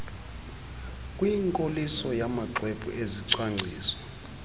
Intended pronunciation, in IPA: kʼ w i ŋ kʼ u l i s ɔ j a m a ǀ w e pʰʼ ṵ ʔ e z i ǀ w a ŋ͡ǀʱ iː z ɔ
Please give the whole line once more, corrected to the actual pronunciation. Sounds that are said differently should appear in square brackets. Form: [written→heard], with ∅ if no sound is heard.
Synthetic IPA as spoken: kʼ w i ŋ kʼ [u→o] l i s ɔ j a m a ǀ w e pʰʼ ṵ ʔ e z i ǀ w a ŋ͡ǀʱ iː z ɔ